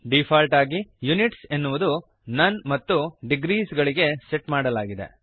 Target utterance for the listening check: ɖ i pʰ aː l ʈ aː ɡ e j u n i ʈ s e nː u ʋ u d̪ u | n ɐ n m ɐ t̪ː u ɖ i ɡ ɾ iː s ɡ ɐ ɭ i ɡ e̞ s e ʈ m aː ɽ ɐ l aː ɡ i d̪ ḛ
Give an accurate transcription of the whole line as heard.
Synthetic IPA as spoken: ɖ i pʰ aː l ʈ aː ɡ i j u n i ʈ s e nː u ʋ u d̪ u | n ɐ n m ɐ t̪ː u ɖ i ɡ ɾ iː s ɡ ɐ ɭ i ɡ e̞ s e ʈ m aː ɽ ɐ l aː ɡ i d̪ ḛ